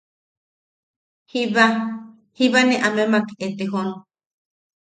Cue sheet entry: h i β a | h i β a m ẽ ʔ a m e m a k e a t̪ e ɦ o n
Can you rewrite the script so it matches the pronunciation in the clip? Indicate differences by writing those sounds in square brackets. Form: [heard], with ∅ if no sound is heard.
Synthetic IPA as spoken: h i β a | h i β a [n] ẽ ʔ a m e m a k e [e] t̪ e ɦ o n